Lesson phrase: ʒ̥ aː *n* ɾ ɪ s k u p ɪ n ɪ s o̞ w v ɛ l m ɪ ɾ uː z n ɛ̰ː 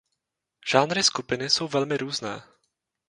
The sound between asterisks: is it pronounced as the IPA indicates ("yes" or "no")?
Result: yes